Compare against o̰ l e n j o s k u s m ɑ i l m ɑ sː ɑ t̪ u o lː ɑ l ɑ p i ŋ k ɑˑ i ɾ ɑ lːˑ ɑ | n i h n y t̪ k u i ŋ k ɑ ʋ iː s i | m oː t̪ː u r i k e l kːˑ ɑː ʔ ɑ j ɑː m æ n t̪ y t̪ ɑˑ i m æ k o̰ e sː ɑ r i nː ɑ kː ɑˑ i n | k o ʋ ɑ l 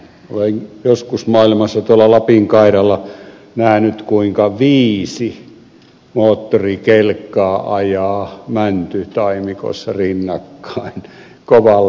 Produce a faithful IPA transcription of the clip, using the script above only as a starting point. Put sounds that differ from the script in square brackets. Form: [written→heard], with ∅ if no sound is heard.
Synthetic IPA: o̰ l e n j o s k u s m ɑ i l m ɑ sː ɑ t̪ u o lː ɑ l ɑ p i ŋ k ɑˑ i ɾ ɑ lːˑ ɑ | n [i→æ] h n y t̪ k u i ŋ k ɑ ʋ iː s i | m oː t̪ː [u→o] r i k e l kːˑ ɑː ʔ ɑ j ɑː m æ n t̪ y t̪ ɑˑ i m [æ→i] k o̰ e sː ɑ r i nː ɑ kː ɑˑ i n | k o ʋ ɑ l